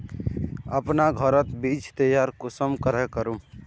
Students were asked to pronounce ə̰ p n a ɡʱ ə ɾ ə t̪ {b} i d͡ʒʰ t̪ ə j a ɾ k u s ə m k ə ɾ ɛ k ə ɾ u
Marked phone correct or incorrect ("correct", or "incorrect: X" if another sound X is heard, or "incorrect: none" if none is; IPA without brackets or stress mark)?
correct